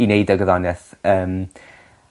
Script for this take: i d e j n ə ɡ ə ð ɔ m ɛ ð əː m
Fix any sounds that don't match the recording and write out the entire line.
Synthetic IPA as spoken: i n e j d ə ɡ ə ð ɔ n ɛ θ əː m